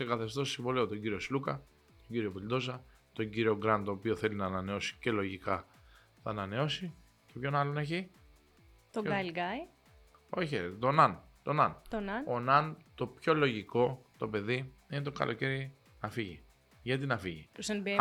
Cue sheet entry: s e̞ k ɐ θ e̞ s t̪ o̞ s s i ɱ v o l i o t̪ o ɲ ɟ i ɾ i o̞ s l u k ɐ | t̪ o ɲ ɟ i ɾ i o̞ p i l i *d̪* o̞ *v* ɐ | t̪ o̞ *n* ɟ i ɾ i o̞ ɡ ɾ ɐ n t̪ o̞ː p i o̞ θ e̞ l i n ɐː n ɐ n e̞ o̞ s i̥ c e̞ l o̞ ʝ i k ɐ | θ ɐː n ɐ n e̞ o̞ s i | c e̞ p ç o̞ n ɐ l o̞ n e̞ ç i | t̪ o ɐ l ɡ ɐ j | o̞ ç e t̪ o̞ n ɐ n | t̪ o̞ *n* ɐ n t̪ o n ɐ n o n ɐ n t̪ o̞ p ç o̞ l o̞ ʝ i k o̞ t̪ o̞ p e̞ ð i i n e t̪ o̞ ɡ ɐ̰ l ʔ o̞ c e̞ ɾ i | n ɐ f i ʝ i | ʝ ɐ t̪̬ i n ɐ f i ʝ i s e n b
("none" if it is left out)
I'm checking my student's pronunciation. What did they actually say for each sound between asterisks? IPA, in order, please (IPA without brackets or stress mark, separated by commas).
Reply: d̪, z, ɲ, n